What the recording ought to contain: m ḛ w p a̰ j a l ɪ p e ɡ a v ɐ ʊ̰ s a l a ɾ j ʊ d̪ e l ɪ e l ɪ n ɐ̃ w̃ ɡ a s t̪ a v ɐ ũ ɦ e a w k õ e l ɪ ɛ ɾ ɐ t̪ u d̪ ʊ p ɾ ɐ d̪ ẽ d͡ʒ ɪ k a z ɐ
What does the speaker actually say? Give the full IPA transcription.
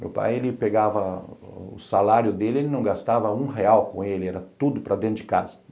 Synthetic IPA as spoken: m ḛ w p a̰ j e l ɪ p e ɡ a v ɐ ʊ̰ s a l a ɾ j ʊ d̪ e l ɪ e l ɪ n ɐ̃ w̃ ɡ a s t̪ a v ɐ ũ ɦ e a w k õ e l ɪ ɛ ɾ ɐ t̪ u d̪ ʊ p ɾ ɐ d̪ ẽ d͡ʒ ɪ k a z ɐ